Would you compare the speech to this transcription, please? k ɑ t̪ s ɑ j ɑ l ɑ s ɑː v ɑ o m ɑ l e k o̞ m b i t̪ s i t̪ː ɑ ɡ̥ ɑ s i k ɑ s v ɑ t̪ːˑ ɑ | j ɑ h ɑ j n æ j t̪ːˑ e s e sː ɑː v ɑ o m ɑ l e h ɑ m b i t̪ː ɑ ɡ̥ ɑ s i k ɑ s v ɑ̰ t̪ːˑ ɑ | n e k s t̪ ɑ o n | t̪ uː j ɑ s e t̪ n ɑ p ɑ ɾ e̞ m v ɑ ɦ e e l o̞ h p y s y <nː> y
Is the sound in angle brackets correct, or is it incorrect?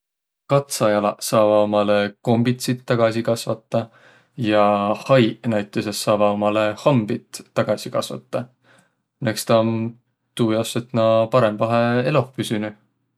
incorrect